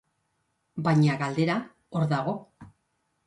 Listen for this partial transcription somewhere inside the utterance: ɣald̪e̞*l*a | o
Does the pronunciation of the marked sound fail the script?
yes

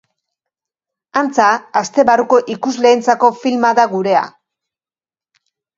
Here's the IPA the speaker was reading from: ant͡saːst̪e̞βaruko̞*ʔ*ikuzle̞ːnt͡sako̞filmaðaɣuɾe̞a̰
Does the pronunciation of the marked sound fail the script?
no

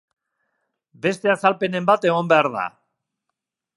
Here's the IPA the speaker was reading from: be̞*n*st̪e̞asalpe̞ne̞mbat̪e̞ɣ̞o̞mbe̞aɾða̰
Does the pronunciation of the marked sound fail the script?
yes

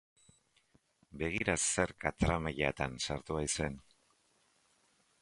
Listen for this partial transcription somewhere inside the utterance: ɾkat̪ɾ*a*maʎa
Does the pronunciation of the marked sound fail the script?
no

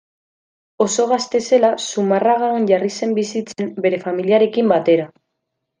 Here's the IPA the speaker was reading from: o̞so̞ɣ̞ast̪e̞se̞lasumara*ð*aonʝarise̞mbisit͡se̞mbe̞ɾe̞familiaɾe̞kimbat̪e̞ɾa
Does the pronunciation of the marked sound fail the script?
yes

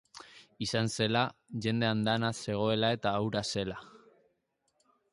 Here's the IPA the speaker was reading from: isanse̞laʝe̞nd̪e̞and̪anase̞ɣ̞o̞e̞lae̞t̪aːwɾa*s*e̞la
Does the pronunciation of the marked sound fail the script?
no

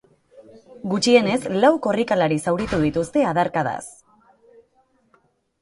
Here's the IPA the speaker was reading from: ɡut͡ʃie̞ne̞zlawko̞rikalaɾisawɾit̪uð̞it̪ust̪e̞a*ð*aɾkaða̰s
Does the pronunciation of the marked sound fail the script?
no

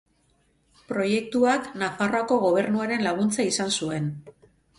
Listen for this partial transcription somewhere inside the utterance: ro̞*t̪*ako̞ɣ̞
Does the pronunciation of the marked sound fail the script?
yes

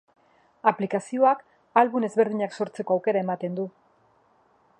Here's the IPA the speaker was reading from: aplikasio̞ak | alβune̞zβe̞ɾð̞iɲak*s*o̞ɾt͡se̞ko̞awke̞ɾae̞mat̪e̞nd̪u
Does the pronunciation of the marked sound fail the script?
no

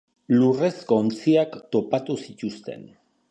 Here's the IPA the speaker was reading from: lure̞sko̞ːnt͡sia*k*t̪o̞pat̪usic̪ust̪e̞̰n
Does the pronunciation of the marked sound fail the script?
no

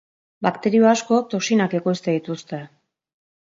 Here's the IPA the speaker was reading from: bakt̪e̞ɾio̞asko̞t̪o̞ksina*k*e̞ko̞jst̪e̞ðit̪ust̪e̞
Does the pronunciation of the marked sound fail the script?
no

